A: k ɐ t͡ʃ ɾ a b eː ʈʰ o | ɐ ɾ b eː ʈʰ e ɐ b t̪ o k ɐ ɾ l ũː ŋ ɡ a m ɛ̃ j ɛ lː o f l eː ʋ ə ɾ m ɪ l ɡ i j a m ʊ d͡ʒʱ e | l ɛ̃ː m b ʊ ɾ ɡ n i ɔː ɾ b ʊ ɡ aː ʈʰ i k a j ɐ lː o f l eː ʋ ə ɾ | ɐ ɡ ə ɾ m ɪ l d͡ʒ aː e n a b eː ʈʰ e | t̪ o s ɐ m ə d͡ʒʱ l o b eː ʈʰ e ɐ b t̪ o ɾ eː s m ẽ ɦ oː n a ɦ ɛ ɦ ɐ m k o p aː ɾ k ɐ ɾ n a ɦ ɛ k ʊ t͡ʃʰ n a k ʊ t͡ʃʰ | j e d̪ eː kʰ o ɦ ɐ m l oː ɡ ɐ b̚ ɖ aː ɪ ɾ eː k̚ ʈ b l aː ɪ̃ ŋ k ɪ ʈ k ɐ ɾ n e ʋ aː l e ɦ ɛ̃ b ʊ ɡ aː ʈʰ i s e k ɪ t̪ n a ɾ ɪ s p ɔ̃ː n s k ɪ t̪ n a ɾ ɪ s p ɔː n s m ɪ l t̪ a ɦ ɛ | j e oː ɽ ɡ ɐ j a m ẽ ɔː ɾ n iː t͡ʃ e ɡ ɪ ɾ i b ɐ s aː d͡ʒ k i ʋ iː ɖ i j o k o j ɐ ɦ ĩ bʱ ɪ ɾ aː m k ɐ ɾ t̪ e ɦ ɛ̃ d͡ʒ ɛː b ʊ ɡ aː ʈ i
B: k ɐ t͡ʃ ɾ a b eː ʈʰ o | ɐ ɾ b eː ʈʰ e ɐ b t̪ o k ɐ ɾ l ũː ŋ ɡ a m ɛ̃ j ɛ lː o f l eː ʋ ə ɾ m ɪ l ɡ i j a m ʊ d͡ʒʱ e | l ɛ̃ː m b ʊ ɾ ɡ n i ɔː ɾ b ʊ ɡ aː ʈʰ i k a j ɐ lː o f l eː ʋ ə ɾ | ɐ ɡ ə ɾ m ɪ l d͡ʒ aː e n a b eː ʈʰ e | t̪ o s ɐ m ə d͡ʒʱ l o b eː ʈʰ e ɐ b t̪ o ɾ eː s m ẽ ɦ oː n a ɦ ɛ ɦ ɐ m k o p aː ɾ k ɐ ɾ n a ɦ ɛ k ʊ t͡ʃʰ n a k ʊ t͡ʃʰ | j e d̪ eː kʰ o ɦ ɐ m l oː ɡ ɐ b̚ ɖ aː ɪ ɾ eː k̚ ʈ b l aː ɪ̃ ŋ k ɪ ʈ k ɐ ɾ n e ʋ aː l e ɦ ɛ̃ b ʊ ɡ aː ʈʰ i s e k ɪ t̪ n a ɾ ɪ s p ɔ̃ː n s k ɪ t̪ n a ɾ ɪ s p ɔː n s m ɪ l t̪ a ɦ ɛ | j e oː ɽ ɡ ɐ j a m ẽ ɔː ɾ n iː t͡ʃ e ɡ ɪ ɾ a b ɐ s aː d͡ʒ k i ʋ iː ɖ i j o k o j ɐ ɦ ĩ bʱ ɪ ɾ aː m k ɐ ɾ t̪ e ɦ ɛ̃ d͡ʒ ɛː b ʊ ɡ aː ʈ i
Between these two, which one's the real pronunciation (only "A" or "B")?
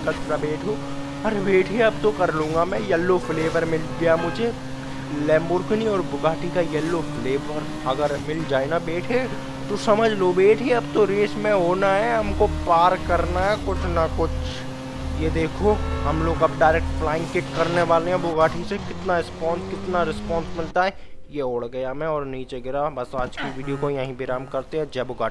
B